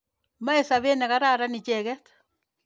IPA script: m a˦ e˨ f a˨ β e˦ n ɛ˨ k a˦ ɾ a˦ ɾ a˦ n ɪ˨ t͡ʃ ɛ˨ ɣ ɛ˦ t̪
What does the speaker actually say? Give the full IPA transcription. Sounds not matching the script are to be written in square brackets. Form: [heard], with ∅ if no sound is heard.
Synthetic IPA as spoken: m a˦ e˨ [s] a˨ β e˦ n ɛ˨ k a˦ ɾ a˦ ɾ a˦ n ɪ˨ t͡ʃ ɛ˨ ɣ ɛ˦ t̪

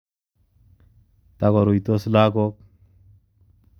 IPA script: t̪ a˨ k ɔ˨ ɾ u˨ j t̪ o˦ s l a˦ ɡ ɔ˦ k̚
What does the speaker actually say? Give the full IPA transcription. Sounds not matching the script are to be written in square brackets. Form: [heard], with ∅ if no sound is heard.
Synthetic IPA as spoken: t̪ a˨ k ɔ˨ ɾ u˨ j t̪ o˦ s l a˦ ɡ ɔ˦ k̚

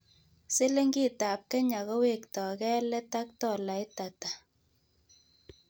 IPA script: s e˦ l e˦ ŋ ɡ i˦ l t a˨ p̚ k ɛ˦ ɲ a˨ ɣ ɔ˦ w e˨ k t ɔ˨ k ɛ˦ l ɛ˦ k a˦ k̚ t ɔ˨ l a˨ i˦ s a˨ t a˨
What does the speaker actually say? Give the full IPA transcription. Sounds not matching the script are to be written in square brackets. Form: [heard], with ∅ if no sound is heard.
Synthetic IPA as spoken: s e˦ l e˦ ŋ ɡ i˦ [∅] t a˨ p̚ k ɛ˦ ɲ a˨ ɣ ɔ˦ w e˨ k t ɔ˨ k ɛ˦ l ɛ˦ [t] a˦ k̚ t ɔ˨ l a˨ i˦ [t] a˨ t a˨

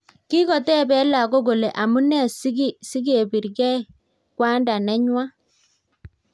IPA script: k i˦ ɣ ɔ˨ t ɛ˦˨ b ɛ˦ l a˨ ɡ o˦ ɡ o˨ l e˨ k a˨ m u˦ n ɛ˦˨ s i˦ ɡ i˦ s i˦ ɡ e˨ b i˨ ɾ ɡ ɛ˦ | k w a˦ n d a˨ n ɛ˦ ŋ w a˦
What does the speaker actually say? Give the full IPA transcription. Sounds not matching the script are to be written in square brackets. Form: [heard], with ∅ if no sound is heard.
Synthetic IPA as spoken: k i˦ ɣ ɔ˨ t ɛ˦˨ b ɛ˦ l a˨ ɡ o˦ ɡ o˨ l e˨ [ʔ] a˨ m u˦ n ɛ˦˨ s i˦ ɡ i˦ s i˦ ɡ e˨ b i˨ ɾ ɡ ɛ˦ | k w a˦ n d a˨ n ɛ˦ [ɲ] w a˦

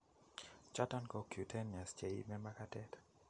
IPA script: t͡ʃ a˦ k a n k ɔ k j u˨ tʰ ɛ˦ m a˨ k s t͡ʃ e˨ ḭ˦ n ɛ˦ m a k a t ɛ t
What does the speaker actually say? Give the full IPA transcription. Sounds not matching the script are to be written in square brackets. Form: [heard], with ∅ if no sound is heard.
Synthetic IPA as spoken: t͡ʃ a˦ [t] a n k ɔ k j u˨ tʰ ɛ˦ [n] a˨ [∅] s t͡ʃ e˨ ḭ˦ [m] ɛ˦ m a k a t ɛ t

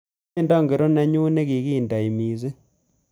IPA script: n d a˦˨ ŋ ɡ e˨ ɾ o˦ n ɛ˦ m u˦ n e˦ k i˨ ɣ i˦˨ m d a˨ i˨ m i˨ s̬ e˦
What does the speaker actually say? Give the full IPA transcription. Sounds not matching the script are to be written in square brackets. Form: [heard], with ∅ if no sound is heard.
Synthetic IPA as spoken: n d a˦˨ ŋ ɡ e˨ ɾ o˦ n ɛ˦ [ɲ] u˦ n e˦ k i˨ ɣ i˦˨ [n] d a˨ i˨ m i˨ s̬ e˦

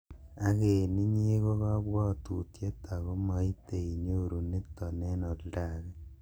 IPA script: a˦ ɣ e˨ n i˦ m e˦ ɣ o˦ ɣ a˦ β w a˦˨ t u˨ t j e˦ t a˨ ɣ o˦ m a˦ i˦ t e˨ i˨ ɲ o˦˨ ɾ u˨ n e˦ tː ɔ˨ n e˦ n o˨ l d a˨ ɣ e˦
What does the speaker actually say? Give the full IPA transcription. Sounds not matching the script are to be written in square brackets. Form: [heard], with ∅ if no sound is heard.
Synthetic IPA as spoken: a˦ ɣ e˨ n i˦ [ɲ] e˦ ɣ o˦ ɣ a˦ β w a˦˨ t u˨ t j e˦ t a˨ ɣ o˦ m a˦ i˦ t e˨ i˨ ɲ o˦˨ ɾ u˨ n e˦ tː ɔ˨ n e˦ n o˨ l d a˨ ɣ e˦

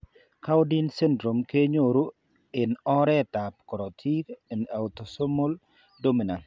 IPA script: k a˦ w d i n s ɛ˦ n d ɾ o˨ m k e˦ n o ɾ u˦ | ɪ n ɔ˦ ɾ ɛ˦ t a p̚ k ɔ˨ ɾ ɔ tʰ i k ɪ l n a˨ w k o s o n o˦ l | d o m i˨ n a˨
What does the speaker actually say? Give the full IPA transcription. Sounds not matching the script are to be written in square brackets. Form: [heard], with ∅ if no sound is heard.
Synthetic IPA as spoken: k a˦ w d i n s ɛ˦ n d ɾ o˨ m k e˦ [ɲ] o ɾ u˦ | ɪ n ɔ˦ ɾ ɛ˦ t a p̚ k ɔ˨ ɾ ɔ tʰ i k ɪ [∅] n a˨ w [t] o s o [m] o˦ l | d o m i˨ n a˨

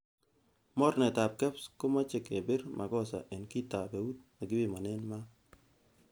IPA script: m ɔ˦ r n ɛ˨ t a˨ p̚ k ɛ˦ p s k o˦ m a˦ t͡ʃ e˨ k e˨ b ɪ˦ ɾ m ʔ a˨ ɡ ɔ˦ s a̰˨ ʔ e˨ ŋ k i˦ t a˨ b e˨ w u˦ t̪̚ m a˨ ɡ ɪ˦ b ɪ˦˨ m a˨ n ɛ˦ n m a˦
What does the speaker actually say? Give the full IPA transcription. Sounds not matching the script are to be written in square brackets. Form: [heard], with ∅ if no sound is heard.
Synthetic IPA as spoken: m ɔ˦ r n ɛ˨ t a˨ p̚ k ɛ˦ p s k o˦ m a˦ t͡ʃ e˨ k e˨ b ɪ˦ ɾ m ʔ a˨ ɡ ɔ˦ s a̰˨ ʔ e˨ [n] k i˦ t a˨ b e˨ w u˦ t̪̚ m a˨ ɡ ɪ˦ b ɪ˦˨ m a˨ n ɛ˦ n m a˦

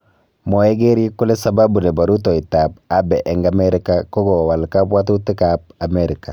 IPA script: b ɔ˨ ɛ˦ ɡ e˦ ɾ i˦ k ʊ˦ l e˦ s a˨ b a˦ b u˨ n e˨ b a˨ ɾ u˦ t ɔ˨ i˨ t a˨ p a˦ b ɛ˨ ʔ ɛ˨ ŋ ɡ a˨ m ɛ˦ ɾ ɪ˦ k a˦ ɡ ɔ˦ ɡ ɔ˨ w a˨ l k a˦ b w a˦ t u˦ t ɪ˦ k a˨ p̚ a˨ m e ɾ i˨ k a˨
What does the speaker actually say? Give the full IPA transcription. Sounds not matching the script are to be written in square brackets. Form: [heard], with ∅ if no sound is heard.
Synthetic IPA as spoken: [m] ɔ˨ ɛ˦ ɡ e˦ ɾ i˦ k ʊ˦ l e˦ s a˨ b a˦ b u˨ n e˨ b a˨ ɾ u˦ t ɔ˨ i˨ t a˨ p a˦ b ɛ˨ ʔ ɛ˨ ŋ ɡ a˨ m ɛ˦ ɾ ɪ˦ k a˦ [k] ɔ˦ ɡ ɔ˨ w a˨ l k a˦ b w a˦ t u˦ t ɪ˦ k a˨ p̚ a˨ m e ɾ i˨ k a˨

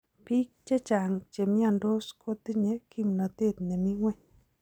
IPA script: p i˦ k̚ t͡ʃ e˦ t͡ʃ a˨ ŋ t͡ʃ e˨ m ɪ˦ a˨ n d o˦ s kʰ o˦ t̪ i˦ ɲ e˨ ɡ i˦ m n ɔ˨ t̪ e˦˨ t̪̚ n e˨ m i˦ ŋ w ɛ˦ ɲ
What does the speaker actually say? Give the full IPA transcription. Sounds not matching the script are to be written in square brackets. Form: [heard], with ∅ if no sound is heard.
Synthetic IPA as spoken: p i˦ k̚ t͡ʃ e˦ t͡ʃ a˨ ŋ t͡ʃ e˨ m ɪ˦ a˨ n d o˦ s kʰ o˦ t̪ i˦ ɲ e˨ [k] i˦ m n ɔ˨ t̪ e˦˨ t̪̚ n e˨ m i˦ ŋ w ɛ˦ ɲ

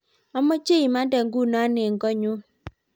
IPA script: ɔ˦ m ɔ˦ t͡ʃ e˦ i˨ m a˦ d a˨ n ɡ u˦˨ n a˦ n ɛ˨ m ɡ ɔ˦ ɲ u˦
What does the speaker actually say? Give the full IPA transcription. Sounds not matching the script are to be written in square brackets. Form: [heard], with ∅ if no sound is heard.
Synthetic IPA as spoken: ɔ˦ m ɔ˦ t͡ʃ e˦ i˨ m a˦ d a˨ [ŋ] ɡ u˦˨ n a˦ n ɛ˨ [ŋ] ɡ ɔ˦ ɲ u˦

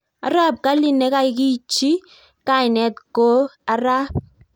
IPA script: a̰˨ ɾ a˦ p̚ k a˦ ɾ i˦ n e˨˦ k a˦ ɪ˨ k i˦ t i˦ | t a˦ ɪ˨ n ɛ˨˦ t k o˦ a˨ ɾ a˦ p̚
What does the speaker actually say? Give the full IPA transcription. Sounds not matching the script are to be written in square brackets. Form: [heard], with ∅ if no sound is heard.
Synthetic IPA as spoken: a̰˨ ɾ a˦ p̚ k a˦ [l] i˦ n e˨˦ k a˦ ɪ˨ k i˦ [t͡ʃ] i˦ | [k] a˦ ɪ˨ n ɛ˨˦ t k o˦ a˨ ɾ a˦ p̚

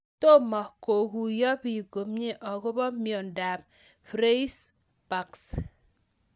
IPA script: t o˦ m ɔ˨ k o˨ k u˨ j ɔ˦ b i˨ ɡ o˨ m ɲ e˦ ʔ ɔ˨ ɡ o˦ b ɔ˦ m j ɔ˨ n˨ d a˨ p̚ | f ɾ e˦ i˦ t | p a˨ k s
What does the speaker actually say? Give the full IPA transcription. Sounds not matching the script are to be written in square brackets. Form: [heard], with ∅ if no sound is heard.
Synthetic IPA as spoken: t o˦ m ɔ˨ k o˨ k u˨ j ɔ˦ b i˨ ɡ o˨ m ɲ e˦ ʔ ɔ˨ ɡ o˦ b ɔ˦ m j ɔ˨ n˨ d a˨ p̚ | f ɾ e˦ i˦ [s] | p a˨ k s

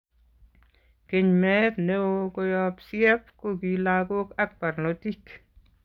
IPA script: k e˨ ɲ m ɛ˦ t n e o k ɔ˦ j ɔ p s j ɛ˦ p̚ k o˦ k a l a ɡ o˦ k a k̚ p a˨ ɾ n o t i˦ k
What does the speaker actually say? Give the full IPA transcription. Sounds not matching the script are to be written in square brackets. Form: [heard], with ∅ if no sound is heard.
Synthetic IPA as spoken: k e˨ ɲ m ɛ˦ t n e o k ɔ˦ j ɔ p s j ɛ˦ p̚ k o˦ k [i] l a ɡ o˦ k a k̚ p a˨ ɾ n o t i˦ k

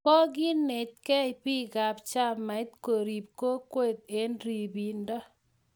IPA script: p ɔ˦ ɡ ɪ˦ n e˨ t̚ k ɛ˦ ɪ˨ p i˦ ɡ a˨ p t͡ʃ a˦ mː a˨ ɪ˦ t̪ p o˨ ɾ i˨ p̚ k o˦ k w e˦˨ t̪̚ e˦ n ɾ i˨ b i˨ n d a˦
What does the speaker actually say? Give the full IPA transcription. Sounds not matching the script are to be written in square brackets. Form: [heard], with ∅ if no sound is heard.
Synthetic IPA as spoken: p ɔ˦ ɡ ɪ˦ n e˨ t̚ k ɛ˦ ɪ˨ p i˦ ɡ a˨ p t͡ʃ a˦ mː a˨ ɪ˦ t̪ [k] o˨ ɾ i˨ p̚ k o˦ k w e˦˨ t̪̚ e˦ n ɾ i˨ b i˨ n d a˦

